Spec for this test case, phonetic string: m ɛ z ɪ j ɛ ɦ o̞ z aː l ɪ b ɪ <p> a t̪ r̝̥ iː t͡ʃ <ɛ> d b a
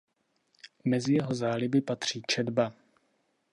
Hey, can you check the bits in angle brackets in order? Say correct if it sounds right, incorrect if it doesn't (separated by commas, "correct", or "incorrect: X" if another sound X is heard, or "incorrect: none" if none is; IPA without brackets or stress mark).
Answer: correct, correct